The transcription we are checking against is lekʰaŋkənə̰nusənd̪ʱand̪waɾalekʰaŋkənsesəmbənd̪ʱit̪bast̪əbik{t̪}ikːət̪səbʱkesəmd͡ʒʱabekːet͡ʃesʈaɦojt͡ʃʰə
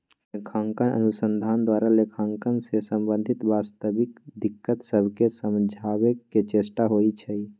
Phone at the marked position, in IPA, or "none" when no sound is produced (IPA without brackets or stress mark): d̪